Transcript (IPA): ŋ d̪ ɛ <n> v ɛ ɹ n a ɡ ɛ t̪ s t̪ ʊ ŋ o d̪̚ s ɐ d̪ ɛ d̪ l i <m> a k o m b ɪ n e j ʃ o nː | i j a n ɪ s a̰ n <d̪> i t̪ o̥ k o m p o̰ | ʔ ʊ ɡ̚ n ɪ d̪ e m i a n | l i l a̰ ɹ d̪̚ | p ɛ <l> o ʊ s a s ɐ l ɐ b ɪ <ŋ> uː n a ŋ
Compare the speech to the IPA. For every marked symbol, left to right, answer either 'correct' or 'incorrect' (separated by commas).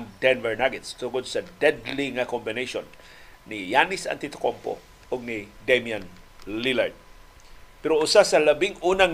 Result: correct, incorrect, incorrect, incorrect, correct